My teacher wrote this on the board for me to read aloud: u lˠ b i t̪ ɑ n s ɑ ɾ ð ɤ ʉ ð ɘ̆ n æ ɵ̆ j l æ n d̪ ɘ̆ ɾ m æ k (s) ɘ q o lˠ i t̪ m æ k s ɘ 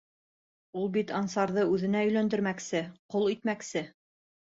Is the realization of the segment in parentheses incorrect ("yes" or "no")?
no